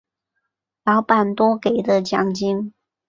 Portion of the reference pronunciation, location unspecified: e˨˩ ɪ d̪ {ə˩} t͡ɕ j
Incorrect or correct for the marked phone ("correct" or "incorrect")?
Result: incorrect